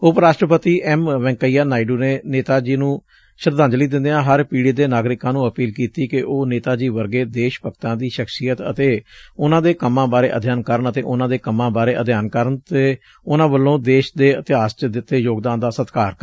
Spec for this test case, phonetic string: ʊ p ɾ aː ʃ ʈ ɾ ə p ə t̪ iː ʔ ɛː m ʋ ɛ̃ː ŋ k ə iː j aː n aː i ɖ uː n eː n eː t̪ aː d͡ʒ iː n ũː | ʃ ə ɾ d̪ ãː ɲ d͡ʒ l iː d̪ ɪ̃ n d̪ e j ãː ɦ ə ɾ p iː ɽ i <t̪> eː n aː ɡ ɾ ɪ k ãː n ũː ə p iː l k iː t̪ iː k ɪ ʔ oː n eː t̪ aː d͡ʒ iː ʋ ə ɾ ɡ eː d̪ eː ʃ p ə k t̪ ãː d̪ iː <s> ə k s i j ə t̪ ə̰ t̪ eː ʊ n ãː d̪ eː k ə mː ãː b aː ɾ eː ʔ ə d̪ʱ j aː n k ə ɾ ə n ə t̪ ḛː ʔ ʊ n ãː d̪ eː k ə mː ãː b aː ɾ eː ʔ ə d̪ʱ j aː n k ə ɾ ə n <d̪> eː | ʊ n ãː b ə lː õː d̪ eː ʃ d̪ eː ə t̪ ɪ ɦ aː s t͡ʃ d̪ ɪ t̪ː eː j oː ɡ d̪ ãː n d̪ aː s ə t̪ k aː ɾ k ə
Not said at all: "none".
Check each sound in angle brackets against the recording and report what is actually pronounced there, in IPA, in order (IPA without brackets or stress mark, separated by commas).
d̪, ʃ, t̪